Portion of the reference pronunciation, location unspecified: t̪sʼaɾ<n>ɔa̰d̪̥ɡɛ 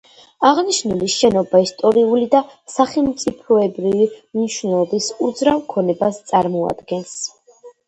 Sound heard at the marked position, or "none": m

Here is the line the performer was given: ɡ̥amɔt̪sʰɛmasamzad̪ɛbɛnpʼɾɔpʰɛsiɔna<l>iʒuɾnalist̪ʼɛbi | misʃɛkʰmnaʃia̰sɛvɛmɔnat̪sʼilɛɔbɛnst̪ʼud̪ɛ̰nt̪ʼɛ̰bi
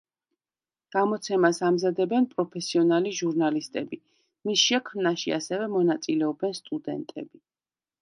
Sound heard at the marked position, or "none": l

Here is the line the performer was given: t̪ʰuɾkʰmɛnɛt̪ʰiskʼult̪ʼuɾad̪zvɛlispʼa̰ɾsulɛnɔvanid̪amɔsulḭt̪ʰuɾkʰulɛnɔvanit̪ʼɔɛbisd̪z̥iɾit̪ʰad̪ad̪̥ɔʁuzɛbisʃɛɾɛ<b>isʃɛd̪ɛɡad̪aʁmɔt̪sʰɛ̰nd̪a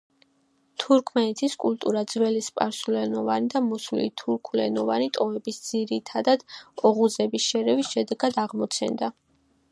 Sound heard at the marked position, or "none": v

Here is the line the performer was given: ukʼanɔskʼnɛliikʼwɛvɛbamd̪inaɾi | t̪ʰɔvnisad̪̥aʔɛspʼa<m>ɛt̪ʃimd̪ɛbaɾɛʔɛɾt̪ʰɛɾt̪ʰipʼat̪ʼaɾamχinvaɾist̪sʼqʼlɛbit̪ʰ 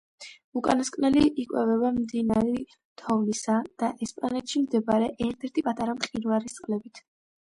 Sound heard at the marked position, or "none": n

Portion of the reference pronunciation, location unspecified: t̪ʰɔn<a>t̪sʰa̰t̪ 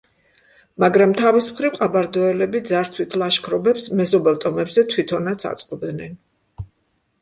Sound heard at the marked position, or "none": a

